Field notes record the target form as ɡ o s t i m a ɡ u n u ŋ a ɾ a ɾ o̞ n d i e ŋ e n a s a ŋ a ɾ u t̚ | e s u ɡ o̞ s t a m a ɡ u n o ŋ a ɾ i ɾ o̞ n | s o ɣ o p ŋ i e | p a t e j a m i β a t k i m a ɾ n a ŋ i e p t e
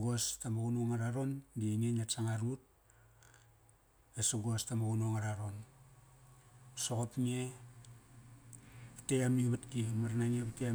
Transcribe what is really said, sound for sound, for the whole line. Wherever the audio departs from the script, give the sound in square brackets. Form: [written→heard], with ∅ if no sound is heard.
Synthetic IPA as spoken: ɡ o s t [i→a] m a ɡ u n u ŋ a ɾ a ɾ o̞ n d i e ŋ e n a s a ŋ a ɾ u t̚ | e s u ɡ o̞ s t a m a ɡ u n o ŋ a ɾ [i→a] ɾ o̞ n | s o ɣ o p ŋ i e | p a t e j a m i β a t k i m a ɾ n a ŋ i e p t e

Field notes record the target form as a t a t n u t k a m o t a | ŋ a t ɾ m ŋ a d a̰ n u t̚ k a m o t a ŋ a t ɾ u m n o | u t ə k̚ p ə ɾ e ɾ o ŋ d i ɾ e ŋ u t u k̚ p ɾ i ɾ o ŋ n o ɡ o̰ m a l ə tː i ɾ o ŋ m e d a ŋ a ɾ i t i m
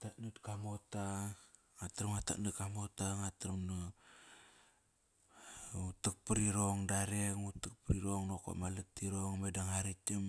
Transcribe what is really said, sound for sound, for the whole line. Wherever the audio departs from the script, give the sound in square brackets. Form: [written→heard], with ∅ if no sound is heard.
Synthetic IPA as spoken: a t a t n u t k a m o t a | ŋ a t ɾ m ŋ a [d→t] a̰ n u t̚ k a m o t a ŋ a t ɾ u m n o | u t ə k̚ p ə ɾ [e→i] ɾ o ŋ d [i→a] ɾ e ŋ u t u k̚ p ɾ i ɾ o ŋ n o [ɡ→k] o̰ m a l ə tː i ɾ o ŋ m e d a ŋ a ɾ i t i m

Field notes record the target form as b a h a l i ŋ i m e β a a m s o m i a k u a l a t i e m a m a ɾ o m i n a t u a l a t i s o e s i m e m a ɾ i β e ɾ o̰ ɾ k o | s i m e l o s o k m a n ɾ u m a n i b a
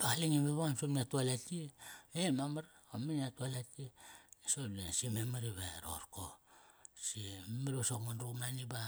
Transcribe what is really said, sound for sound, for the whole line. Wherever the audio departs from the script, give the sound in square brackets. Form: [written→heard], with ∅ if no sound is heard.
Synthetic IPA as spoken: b a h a l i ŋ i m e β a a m s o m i a [k→t] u a l a t i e m a m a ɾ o m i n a t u a l a t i s o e s i m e m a ɾ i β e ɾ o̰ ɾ k o | s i m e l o s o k m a n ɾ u m a n i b a

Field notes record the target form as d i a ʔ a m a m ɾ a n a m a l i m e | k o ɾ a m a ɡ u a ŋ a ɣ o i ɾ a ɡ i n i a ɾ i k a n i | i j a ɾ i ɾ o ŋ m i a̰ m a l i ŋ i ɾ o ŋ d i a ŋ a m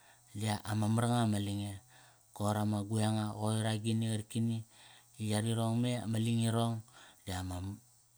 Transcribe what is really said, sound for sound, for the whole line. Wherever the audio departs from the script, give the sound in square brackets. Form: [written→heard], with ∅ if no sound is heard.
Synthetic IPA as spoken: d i a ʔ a m a m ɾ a [n→ŋ] a m a l i [m→ŋ] e | k o ɾ a m a ɡ u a ŋ a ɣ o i ɾ a ɡ i n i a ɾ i k [a→i] n i | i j a ɾ i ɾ o ŋ m [i→e] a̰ m a l i ŋ i ɾ o ŋ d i a [ŋ→m] a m

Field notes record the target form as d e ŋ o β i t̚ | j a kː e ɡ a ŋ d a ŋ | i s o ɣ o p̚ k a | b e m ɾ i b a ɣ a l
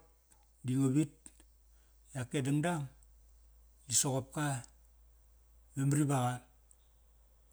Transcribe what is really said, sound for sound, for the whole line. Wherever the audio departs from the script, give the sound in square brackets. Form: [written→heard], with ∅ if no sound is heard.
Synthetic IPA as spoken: d [e→i] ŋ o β i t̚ | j a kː e [ɡ→d] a ŋ d a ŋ | i s o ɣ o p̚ k a | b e m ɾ i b a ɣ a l

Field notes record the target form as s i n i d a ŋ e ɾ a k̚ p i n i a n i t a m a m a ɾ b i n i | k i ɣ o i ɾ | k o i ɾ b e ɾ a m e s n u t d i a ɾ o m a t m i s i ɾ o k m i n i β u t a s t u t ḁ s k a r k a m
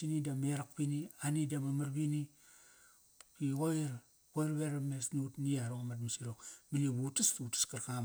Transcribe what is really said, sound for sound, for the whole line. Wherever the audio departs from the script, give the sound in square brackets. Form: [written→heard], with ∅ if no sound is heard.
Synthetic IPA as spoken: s i n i d a [ŋ→m] e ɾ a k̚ p i n i a n i [t→d] a m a m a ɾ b i n i | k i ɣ o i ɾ | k o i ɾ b e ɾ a m e s n u t [d→n] i a ɾ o m a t m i s i ɾ o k m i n i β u t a s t u t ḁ s k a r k a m

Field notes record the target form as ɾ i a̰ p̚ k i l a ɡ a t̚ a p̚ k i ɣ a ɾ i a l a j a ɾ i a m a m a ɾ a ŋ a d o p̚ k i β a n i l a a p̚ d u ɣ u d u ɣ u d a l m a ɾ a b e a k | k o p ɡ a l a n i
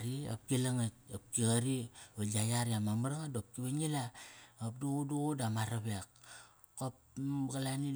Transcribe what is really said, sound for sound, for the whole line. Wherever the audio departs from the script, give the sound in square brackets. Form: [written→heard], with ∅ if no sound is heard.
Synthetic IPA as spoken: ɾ i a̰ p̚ k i l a [ɡ→ŋ] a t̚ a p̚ k i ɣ a ɾ i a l a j a ɾ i a m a m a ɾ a ŋ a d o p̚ k i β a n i l a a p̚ d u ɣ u d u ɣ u d a [l→∅] m a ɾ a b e a k | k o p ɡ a l a n i

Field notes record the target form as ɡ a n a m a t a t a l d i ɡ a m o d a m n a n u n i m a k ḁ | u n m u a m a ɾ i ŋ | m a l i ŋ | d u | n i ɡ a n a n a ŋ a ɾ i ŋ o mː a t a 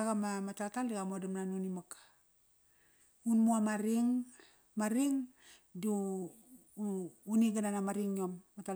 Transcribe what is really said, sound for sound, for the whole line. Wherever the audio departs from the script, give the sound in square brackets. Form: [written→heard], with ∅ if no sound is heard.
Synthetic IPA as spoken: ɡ a [n→m] a m a t a t a l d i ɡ a m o d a m n a n u n i m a k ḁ | u n m u a m a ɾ i ŋ | m a [l→ɾ] i ŋ | d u | n i ɡ a n a n a [ŋ→m] a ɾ i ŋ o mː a t a

